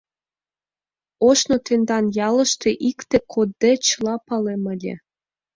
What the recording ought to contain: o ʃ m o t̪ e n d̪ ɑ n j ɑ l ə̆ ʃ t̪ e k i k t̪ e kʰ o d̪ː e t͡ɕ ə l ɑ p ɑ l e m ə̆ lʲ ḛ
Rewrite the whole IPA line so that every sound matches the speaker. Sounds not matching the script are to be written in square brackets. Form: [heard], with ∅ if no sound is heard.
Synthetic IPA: o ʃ [n] o t̪ e n d̪ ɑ n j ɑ l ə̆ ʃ t̪ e [ʔ] i k t̪ e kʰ o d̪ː e t͡ɕ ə l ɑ p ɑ l e m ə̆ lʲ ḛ